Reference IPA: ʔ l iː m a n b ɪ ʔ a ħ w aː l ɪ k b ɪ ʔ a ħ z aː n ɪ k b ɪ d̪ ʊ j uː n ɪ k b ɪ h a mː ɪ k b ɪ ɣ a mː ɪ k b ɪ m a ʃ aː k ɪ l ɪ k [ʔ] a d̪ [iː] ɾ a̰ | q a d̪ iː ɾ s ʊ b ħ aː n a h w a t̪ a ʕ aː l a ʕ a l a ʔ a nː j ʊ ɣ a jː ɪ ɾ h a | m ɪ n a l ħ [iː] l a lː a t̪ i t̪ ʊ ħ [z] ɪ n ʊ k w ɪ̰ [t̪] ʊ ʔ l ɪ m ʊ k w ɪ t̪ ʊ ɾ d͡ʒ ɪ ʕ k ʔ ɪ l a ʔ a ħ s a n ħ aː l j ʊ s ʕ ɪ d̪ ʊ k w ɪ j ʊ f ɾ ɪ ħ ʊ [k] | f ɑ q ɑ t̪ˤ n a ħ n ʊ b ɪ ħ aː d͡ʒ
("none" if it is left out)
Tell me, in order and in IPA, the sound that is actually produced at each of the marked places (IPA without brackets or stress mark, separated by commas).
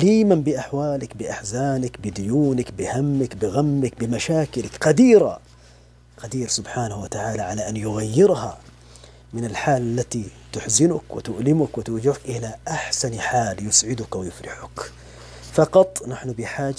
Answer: q, iː, aː, z, t̪, k